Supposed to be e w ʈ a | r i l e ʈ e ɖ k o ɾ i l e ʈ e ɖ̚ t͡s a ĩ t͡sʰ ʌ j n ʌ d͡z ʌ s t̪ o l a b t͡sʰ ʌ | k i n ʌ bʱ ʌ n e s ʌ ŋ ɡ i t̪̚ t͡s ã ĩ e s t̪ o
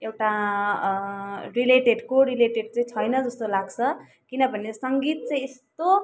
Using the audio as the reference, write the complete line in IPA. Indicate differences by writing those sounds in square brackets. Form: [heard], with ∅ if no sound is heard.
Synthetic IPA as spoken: e w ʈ a | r i l e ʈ e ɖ k o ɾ i l e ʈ e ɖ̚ t͡s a ĩ t͡sʰ ʌ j n ʌ d͡z ʌ s t̪ o l a [ɡ] t͡sʰ ʌ | k i n ʌ bʱ ʌ n e s ʌ ŋ ɡ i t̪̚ t͡s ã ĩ e s t̪ o

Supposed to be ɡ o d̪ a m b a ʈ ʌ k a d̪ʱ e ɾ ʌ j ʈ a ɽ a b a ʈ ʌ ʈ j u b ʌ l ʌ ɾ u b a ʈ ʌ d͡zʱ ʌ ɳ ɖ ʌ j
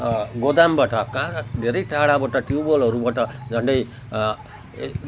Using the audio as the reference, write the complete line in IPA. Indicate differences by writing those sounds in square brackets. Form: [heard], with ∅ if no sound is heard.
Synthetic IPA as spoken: ɡ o d̪ a m b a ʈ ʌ k a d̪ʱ e ɾ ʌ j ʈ a ɽ a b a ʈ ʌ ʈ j u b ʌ l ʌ ɾ u b a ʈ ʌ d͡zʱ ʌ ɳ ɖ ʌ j

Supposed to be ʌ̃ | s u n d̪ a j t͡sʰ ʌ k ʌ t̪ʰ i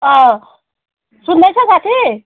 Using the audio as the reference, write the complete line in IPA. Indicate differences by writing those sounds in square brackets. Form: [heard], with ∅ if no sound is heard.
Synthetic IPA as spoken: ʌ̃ | s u n d̪ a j t͡sʰ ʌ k [a] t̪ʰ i

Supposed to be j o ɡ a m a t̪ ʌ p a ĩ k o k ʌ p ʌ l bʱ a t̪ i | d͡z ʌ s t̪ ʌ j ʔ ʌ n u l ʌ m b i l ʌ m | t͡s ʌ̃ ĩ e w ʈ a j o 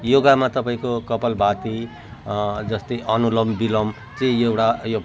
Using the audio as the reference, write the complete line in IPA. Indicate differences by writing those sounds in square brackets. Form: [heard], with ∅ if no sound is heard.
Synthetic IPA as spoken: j o ɡ a m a t̪ ʌ p a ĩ k o k ʌ p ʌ l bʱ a t̪ i | d͡z ʌ s t̪ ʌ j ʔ ʌ n u l ʌ m b i l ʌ m | t͡s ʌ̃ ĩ e w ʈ a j o

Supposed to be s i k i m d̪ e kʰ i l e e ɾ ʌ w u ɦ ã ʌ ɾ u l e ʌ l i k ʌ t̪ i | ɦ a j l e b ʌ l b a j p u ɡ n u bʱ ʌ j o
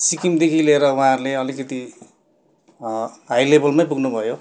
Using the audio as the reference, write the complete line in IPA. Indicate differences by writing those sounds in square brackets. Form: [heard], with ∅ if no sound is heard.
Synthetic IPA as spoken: s i k i m d̪ e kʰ i l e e ɾ ʌ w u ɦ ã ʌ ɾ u l e ʌ l i k ʌ t̪ i | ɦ a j l e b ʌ l [m] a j p u ɡ n u bʱ ʌ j o

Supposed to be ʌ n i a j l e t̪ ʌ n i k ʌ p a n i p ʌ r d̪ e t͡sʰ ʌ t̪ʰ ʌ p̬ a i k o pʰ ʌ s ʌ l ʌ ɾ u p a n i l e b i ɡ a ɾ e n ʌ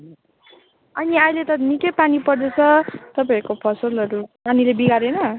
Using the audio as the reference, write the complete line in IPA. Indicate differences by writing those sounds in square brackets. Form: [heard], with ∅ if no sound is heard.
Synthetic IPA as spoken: ʌ n i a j l e t̪ ʌ n i k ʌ p a n i p ʌ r d̪ e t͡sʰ ʌ [t̪] ʌ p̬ a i k o pʰ ʌ s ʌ l ʌ ɾ u p a n i l e b i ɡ a ɾ e n ʌ

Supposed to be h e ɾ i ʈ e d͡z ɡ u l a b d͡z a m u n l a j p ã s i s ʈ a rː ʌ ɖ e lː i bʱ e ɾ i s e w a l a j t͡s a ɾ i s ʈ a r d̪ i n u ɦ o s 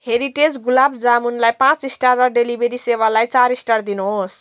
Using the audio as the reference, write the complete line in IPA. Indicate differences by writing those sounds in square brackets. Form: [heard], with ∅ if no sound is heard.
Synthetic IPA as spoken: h e ɾ i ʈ e d͡z ɡ u l a b d͡z a m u n l a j p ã [t͡s] i s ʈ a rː ʌ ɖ e [l] i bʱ e ɾ i s e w a l a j t͡s a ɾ i s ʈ a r d̪ i n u ɦ o s

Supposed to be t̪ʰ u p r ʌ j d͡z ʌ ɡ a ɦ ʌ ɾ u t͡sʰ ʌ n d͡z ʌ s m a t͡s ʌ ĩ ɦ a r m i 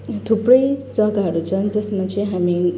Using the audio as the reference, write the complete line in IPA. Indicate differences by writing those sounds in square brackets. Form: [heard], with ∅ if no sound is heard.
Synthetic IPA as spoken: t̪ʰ u p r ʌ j d͡z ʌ ɡ a ɦ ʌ ɾ u t͡sʰ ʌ n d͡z ʌ s m a t͡s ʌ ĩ ɦ a [∅] m i

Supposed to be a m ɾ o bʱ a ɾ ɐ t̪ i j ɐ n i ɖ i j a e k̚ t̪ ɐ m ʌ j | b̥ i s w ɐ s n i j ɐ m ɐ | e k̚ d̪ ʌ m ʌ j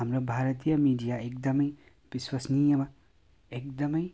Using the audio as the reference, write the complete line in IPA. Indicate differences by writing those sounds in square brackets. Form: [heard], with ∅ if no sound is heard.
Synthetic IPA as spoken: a m ɾ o bʱ a ɾ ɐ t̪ i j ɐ [m] i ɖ i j a e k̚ [d̪] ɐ m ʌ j | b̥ i s w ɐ s n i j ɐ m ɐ | e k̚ d̪ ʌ m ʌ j

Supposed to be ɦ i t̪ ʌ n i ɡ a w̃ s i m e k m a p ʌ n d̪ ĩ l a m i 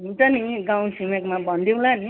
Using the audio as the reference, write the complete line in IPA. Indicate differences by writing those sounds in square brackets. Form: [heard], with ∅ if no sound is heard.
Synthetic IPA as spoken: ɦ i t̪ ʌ n i ɡ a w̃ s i m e k m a [b] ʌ n d̪ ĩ l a [n] i

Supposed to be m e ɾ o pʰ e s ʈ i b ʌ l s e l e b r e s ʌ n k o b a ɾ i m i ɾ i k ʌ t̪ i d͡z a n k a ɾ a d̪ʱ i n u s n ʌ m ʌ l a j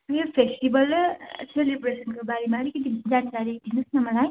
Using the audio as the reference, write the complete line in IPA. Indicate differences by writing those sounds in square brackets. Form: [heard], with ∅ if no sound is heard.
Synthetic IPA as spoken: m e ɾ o pʰ e s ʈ i b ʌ l s e l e b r e s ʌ n k o b a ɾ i m [a] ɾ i k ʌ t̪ i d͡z a n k a ɾ [i] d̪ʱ i n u s n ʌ m ʌ l a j

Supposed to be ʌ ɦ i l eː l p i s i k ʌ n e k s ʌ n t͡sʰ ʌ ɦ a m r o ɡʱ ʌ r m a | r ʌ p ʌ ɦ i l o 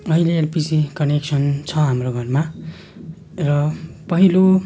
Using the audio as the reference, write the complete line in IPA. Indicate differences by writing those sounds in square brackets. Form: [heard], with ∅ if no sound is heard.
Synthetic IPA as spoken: ʌ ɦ i l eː l p i s i k ʌ n e k s ʌ n t͡sʰ ʌ ɦ a m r o ɡʱ ʌ r m a | r ʌ p ʌ ɦ i l o

